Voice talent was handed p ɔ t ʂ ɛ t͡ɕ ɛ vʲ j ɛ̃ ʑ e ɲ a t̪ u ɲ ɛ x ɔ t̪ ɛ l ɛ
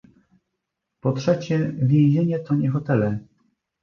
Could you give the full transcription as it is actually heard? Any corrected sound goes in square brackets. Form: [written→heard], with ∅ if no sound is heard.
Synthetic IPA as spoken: p ɔ t ʂ ɛ t͡ɕ ɛ vʲ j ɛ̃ ʑ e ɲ [a→ɛ] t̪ [u→ɔ] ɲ ɛ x ɔ t̪ ɛ l ɛ